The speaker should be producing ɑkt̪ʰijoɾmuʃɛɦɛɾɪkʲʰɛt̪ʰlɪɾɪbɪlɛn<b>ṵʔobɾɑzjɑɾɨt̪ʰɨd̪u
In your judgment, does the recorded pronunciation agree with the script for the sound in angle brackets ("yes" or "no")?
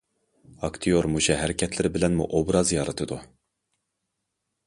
no